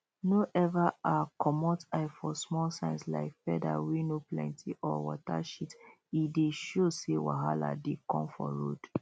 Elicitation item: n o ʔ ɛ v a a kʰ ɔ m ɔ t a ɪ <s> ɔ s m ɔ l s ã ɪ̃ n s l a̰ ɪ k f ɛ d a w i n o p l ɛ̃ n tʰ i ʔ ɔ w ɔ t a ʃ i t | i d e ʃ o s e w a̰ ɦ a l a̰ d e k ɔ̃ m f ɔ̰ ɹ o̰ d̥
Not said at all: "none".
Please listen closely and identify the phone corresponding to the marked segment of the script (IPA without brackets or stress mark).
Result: f